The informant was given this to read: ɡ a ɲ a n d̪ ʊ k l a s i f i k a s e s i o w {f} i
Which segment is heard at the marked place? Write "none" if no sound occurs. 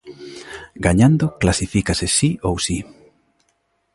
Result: s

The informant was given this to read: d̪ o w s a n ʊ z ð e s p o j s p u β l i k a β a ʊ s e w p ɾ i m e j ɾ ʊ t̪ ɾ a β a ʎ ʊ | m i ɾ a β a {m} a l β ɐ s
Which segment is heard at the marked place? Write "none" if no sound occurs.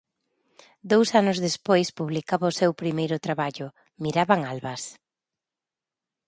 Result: ŋ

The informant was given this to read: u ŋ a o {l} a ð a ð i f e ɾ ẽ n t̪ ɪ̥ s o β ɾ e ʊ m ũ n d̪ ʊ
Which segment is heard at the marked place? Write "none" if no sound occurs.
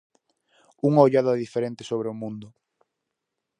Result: ʎ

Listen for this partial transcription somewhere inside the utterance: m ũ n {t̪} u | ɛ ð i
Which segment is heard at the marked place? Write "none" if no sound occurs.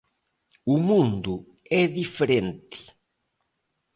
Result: d̪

